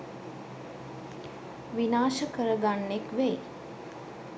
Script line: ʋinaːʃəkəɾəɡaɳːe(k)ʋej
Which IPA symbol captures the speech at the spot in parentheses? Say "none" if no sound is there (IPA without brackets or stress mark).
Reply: k